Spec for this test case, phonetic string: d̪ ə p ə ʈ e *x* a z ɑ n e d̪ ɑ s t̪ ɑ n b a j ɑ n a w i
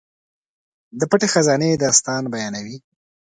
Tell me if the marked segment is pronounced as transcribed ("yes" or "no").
yes